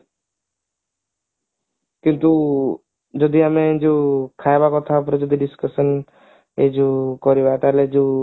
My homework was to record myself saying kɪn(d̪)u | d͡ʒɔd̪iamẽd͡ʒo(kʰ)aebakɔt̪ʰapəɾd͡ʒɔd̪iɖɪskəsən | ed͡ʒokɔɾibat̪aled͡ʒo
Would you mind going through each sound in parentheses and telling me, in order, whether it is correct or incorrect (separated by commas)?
incorrect, correct